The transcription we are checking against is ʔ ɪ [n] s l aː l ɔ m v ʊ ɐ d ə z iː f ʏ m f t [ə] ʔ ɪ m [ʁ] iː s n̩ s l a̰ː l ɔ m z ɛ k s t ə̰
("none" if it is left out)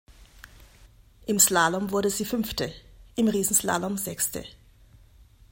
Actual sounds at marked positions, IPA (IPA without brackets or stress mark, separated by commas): m, ə, ʁ